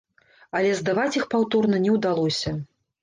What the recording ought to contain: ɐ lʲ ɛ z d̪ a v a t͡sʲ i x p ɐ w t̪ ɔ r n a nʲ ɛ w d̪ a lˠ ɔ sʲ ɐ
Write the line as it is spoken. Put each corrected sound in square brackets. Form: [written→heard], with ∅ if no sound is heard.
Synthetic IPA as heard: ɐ lʲ ɛ z d̪ a v a t͡sʲ i x p [ɐ→a] w t̪ ɔ r n [a→ɐ] nʲ ɛ w d̪ a lˠ ɔ sʲ ɐ